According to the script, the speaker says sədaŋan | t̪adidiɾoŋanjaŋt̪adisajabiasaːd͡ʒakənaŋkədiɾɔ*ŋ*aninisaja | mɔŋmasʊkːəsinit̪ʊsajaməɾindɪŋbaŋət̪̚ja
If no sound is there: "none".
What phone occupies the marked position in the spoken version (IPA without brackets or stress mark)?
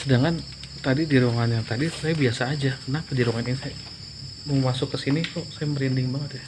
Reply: ŋ